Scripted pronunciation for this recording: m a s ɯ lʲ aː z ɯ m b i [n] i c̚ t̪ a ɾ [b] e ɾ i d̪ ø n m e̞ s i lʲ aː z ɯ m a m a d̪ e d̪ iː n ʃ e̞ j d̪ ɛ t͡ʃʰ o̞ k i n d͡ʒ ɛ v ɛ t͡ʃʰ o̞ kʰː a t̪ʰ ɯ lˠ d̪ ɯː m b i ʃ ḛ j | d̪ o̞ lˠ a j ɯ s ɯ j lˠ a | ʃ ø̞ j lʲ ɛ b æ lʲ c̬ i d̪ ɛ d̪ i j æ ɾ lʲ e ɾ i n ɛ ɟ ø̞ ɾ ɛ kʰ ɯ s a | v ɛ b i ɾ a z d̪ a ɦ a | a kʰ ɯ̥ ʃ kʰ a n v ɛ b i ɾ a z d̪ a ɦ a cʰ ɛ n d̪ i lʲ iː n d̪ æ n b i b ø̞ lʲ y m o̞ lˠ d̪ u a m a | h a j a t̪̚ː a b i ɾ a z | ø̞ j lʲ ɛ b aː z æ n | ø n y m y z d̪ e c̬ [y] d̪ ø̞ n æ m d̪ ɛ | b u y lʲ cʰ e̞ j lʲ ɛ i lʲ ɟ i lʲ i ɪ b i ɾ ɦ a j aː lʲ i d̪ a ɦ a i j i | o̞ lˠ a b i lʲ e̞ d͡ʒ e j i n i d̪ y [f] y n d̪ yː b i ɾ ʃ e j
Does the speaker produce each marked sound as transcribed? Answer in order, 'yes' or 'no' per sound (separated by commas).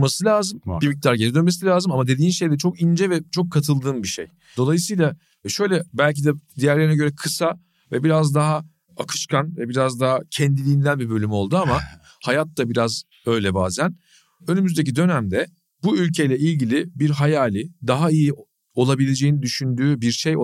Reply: no, no, no, no